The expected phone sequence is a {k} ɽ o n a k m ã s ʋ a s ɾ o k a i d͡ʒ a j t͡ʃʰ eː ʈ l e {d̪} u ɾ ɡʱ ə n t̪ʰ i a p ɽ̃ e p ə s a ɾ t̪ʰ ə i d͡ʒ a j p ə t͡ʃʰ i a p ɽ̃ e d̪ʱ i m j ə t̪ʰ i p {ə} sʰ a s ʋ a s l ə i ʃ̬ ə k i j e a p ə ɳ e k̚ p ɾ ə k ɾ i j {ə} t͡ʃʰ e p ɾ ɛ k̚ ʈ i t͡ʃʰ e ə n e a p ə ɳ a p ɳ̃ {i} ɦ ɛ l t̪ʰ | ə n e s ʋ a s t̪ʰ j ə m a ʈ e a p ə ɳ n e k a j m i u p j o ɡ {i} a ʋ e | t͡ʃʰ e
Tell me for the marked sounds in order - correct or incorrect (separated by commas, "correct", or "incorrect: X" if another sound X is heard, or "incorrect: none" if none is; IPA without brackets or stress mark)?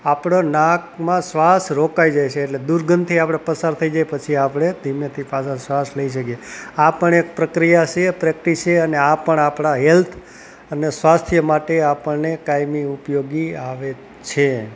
incorrect: p, correct, incorrect: a, incorrect: a, incorrect: a, correct